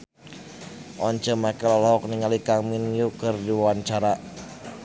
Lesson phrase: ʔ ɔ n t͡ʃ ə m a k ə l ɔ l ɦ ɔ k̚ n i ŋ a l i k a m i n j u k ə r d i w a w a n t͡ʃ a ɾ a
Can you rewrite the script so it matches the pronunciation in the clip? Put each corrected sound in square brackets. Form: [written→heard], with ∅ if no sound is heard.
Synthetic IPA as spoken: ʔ ɔ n t͡ʃ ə m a k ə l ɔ l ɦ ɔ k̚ n i ŋ a l i k a m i n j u k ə r d i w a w a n t͡ʃ a ɾ a